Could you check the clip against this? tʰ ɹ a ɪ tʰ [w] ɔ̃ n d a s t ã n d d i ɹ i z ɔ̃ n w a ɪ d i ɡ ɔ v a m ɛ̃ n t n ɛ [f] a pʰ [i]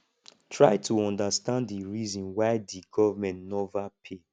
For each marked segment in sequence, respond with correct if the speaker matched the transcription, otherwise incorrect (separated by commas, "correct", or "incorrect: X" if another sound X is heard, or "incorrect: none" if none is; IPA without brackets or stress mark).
incorrect: u, incorrect: v, incorrect: e